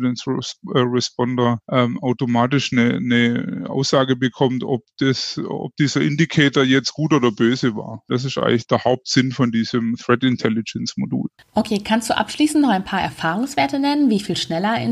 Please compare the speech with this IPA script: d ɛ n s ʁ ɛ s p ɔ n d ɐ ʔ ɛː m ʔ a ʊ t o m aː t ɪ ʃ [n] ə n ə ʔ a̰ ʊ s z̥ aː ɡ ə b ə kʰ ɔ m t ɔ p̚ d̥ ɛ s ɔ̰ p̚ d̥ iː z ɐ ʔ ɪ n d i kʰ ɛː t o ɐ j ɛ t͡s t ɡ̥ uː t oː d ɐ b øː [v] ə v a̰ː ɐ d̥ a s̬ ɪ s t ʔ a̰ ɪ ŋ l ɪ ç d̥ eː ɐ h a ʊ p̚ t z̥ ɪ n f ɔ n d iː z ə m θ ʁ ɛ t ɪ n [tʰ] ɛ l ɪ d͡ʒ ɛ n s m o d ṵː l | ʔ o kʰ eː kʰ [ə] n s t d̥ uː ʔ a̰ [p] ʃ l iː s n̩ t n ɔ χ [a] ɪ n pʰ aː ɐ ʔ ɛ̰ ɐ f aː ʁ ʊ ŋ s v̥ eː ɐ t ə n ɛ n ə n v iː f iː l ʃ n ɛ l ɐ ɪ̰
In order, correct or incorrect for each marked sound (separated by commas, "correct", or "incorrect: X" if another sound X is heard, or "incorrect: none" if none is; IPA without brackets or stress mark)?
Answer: correct, incorrect: z, correct, incorrect: a, correct, correct